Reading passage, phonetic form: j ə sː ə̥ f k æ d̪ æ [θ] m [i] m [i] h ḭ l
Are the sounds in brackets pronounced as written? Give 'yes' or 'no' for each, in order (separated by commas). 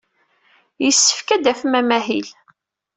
no, no, no